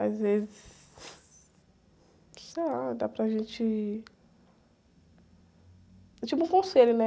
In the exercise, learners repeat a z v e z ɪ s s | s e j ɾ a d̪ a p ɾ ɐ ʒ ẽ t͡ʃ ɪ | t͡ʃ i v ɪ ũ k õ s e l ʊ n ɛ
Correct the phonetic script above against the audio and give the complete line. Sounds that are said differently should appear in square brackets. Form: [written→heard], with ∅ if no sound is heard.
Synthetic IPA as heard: a z v e z ɪ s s | s e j [ɾ→l] a d̪ a p ɾ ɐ ʒ ẽ t͡ʃ ɪ | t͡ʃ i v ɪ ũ k õ s e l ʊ n ɛ